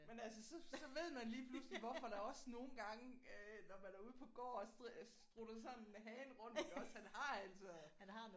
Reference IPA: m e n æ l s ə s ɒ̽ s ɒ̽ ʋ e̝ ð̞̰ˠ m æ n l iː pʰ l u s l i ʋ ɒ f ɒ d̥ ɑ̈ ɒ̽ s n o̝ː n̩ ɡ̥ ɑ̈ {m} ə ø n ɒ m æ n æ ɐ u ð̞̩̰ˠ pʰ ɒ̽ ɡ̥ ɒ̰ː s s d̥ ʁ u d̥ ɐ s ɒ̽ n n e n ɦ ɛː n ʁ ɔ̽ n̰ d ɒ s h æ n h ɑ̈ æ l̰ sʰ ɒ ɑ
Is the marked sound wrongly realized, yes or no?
yes